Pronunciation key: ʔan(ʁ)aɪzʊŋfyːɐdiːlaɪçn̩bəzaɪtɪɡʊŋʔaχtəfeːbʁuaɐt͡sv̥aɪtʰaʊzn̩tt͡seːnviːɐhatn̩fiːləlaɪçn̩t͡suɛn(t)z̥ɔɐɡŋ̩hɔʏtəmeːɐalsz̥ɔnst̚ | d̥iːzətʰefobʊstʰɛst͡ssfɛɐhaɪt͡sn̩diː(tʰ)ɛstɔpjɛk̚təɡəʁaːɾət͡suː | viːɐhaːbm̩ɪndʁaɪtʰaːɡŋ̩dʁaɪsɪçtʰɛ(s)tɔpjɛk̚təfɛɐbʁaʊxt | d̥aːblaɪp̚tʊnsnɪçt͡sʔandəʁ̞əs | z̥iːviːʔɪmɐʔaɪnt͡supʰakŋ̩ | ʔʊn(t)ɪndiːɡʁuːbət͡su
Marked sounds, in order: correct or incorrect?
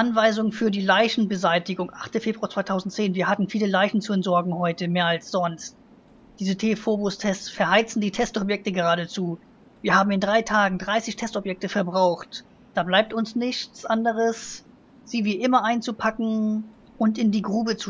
incorrect: v, correct, correct, correct, correct

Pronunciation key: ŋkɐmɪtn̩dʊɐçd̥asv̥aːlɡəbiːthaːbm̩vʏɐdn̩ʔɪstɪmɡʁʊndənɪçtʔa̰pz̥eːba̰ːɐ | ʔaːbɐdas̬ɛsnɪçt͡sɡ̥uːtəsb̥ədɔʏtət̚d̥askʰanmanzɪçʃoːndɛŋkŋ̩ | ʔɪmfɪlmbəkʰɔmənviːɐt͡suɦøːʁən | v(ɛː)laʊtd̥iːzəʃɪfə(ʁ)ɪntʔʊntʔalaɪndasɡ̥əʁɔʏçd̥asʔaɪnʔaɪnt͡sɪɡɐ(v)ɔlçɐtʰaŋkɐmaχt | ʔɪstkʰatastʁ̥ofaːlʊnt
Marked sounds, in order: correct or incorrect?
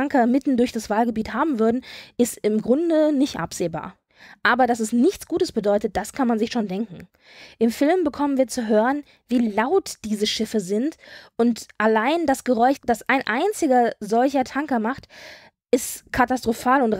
incorrect: iː, incorrect: z, incorrect: z

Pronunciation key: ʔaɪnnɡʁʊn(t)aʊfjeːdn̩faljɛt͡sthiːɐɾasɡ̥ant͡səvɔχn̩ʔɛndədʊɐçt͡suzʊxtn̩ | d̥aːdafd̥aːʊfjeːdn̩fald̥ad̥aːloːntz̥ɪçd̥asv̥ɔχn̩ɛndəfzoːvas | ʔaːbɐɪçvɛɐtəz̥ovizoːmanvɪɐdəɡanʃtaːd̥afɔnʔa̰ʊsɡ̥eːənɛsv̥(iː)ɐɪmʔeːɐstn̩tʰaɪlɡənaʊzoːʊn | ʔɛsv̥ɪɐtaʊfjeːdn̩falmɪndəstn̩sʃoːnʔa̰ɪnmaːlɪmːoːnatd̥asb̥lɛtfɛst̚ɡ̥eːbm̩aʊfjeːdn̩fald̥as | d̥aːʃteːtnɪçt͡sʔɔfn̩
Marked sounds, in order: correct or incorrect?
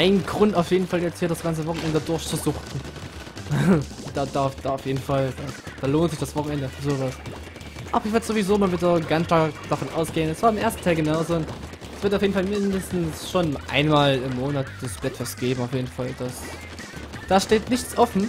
correct, incorrect: aː

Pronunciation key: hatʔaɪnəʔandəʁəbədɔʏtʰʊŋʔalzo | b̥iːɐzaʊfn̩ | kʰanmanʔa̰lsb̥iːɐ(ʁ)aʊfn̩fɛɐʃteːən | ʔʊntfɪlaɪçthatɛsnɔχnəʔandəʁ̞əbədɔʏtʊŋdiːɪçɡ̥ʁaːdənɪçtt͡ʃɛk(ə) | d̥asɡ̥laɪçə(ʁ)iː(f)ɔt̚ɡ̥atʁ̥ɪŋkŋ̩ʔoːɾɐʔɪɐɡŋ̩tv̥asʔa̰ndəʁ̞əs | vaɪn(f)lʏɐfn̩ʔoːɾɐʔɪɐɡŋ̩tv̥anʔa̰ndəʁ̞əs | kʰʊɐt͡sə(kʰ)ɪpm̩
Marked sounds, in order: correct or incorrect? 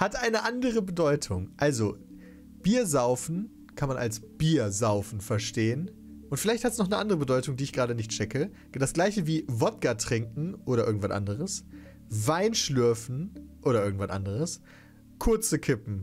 incorrect: z, correct, incorrect: v, incorrect: v, incorrect: ʃ, correct

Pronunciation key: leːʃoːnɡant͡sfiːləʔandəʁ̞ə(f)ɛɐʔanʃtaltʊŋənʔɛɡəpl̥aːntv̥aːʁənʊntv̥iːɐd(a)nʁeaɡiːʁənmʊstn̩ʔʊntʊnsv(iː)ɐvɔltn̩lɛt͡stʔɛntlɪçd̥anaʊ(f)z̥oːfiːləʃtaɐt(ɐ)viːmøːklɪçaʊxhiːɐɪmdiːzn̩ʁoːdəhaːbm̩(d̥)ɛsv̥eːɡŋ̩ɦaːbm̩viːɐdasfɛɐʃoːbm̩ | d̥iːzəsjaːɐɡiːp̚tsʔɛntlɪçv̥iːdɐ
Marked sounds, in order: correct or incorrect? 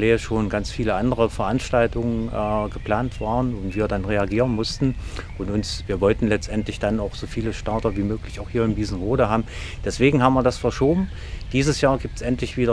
correct, correct, correct, incorrect: x, correct, correct

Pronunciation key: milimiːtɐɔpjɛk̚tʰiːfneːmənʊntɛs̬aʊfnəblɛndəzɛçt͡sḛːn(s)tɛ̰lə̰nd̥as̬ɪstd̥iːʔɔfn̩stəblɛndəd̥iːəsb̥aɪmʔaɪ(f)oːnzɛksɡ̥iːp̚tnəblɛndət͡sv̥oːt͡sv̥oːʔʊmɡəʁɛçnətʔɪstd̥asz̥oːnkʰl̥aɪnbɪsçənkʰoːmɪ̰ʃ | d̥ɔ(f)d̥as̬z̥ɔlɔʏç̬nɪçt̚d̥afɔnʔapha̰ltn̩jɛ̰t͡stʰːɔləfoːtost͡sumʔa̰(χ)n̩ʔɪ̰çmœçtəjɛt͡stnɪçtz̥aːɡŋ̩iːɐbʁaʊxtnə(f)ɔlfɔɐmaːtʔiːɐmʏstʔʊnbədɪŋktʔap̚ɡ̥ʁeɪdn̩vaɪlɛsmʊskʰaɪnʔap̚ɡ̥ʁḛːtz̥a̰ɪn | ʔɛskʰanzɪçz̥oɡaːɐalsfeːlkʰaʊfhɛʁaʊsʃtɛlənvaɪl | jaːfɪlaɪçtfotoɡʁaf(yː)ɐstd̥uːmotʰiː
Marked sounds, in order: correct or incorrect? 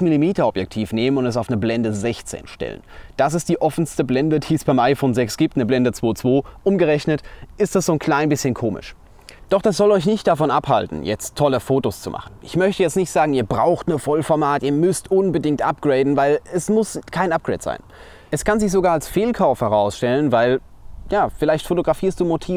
incorrect: ʃ, correct, incorrect: χ, correct, correct, incorrect: iː

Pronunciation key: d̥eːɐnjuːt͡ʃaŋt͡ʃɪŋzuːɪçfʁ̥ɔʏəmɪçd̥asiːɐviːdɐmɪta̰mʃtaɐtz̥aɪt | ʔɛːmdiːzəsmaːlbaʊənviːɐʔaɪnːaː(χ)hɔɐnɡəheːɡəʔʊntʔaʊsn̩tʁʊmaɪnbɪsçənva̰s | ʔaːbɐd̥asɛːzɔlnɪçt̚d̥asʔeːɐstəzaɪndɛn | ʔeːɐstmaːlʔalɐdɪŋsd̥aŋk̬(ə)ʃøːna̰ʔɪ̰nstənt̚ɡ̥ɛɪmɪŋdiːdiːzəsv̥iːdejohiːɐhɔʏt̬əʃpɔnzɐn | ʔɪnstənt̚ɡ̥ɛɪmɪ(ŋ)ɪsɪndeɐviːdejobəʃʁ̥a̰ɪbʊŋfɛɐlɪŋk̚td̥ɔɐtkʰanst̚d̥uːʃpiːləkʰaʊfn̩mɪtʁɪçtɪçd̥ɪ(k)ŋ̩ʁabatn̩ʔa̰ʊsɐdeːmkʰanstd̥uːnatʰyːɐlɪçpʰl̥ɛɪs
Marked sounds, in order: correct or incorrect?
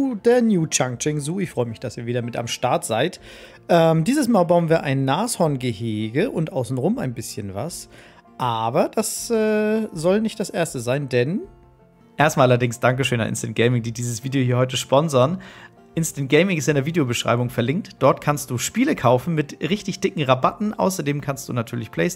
incorrect: s, correct, correct, correct

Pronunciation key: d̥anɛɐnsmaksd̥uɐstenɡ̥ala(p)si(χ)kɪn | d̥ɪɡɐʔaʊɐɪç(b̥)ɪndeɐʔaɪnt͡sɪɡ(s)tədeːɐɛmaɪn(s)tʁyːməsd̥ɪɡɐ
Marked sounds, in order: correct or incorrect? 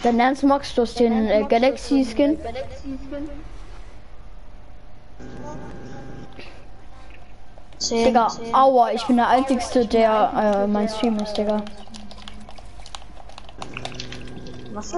incorrect: k, incorrect: s, correct, correct, correct

